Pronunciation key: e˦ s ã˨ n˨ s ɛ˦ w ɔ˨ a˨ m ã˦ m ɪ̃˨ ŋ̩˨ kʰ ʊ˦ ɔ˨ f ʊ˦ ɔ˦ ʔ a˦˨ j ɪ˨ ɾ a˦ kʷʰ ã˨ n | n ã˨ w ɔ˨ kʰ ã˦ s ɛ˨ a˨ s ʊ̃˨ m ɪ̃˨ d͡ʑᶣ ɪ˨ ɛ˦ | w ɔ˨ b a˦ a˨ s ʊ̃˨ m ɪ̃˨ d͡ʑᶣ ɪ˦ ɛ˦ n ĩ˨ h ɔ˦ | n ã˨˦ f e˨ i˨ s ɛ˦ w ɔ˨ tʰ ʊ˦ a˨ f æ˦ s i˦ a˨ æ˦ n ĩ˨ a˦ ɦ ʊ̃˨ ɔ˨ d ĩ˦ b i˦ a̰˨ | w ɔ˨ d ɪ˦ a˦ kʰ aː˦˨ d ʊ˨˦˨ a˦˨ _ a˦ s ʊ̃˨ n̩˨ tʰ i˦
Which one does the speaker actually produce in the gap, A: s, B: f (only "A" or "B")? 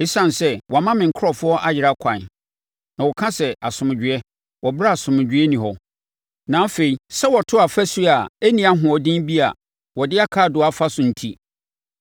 B